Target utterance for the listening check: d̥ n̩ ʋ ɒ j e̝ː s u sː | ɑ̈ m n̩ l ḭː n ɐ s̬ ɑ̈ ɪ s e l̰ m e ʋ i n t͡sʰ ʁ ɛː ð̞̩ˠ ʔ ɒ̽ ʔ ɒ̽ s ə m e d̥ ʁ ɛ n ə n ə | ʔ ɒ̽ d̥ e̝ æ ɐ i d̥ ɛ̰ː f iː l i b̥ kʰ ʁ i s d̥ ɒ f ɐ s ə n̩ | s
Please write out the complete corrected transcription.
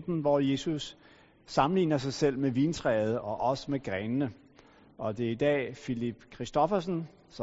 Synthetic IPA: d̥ n̩ ʋ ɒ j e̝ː s u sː | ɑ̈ m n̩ l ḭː n ɐ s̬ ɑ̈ ɪ s e l̰ m e ʋ i n t͡sʰ ʁ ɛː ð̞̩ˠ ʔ ɒ̽ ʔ ɒ̽ s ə m e ɡ̥ ʁ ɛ n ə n ə | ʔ ɒ̽ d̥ e̝ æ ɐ i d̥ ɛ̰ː f i l i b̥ kʰ ʁ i s d̥ ɒ f ɐ s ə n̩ | s